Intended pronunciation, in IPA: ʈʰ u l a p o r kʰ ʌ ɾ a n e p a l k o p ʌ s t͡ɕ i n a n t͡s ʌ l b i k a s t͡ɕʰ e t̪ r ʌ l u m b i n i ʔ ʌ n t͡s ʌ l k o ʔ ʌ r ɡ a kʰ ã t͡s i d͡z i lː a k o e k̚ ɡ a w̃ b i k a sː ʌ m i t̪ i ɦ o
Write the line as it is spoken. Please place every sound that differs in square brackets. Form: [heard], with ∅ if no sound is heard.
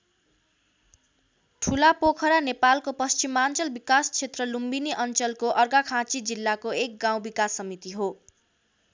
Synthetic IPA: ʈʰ u l a p o [∅] kʰ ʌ ɾ a n e p a l k o p ʌ s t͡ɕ i [m] a n t͡s ʌ l b i k a s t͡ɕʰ e t̪ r ʌ l u m b i n i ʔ ʌ n t͡s ʌ l k o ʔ ʌ r ɡ a kʰ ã t͡s i d͡z i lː a k o e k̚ ɡ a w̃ b i k a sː ʌ m i t̪ i ɦ o